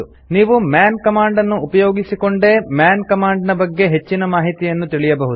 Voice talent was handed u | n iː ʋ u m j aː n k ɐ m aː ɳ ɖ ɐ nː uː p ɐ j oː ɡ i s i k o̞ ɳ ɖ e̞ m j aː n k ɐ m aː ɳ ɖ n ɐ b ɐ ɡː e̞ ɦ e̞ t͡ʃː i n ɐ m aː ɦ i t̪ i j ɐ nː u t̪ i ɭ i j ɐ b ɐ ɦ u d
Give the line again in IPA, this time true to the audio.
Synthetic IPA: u | n iː ʋ u m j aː n k ɐ m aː ɳ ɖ ɐ nː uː p ɐ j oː ɡ i s i k o̞ ɳ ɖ e̞ m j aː n k ɐ m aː ɳ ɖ n ɐ b ɐ ɡː e̞ ɦ e̞ t͡ʃː i n ɐ m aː ɦ i t̪ i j ɐ nː u t̪ i ɭ i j ɐ b ɐ ɦ u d